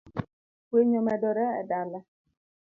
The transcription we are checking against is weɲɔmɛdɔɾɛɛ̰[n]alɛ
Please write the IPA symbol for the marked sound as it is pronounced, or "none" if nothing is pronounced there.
d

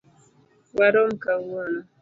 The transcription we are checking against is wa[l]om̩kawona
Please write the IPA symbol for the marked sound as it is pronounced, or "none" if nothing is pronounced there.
ɾ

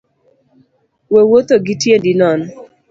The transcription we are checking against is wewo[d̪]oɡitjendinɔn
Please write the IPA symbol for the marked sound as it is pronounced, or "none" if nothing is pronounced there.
t̪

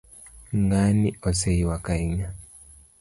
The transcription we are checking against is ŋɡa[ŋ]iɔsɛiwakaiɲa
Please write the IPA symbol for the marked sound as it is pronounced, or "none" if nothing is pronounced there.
n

